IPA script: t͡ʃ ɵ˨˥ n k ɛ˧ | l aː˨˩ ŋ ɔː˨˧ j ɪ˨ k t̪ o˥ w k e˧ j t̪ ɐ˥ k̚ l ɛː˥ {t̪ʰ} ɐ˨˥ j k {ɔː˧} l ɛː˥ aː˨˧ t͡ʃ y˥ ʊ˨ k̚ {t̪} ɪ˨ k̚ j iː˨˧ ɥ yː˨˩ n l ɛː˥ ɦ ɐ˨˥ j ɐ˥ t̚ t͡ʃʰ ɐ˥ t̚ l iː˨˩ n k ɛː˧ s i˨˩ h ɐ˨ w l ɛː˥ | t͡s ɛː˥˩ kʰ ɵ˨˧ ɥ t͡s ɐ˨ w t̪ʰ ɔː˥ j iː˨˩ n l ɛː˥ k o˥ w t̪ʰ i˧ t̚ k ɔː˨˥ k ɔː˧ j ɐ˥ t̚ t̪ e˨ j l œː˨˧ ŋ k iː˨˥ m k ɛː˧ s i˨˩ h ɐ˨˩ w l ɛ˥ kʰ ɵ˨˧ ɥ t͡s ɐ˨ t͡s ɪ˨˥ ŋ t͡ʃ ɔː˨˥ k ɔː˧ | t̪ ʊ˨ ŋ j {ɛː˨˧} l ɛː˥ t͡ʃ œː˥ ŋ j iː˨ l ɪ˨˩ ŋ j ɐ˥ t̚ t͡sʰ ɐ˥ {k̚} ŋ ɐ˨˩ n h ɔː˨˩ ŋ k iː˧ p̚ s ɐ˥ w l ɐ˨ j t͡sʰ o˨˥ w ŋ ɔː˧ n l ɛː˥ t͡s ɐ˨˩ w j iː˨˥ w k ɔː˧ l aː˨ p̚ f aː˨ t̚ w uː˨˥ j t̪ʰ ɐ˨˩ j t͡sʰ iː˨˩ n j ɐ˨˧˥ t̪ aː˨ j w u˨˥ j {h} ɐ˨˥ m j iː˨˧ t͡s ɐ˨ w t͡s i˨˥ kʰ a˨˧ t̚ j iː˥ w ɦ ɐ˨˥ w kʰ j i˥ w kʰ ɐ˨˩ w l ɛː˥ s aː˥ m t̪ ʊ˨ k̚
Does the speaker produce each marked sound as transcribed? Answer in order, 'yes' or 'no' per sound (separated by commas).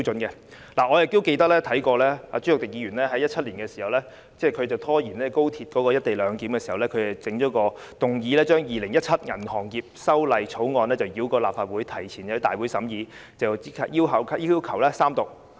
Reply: yes, yes, yes, no, no, no